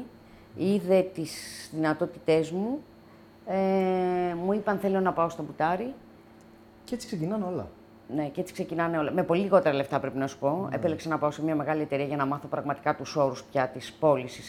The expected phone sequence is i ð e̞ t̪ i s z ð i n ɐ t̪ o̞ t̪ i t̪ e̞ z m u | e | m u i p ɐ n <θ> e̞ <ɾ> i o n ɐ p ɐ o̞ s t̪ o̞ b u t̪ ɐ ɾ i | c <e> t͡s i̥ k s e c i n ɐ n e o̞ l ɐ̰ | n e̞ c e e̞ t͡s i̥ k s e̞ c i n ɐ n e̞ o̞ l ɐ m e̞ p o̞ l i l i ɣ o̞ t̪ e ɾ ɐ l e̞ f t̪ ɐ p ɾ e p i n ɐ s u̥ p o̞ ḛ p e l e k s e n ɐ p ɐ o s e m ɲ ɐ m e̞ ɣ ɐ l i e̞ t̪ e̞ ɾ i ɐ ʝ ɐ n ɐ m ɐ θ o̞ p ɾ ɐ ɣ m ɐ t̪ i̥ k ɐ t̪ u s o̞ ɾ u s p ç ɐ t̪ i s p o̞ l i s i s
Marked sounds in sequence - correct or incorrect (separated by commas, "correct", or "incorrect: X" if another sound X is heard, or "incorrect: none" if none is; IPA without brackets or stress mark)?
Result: correct, incorrect: l, correct